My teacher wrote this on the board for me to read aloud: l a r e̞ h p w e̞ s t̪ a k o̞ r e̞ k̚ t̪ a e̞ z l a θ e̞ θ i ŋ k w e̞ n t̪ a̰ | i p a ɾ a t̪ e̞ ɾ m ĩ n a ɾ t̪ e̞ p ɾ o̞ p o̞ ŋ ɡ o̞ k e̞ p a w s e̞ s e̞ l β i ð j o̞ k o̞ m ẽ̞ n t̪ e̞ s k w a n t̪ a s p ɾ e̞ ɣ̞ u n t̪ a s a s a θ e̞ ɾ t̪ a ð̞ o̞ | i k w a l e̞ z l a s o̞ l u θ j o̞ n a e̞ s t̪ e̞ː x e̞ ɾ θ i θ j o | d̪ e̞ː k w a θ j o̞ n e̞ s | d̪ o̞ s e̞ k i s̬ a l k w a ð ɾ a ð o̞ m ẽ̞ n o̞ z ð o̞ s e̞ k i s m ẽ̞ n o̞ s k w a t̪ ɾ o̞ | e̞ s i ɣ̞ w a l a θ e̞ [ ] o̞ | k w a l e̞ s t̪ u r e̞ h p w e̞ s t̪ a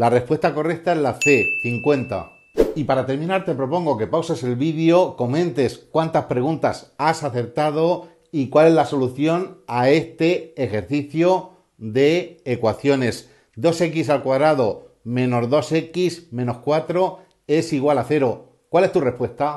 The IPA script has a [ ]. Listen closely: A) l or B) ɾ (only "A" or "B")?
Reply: B